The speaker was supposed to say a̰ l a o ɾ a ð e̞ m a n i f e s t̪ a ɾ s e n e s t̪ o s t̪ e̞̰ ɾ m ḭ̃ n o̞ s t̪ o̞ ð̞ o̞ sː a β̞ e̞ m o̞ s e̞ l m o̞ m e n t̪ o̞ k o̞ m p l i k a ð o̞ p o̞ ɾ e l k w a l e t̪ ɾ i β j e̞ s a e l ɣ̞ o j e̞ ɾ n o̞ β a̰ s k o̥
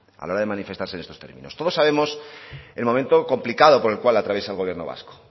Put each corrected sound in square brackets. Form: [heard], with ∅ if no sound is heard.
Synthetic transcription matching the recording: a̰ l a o ɾ a ð e̞ m a n i f e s t̪ a ɾ s e n e s t̪ o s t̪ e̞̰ ɾ m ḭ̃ n o̞ s t̪ o̞ ð̞ o̞ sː a β̞ e̞ m o̞ s e̞ l m o̞ m e n t̪ o̞ k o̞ m p l i k a ð o̞ p o̞ ɾ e l k w a l [a] t̪ ɾ [a] β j e̞ s a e l ɣ̞ o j e̞ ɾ n o̞ β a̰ s k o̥